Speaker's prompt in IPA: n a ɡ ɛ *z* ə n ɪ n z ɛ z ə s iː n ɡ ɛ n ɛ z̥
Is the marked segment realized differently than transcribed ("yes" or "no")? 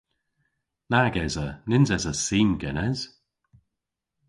no